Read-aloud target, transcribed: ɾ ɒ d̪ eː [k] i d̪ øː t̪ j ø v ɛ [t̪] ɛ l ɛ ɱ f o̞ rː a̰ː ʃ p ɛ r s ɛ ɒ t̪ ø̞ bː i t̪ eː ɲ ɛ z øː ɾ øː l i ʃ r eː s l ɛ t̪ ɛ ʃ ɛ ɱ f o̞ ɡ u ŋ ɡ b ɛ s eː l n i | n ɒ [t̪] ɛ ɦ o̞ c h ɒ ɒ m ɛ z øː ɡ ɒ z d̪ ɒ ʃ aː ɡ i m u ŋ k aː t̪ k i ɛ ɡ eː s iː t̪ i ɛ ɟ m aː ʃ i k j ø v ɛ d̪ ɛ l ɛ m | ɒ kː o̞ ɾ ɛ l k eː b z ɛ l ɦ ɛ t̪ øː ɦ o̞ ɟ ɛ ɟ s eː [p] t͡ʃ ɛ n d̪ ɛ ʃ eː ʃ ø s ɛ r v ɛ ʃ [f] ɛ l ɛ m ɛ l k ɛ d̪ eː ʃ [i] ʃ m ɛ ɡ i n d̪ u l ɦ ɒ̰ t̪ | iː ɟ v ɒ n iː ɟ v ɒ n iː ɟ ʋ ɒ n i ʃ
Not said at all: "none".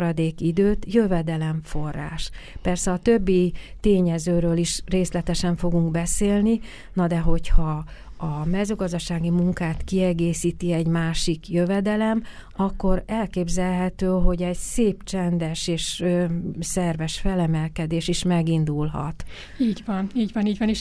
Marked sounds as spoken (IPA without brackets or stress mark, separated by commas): k, d̪, d̪, p, f, i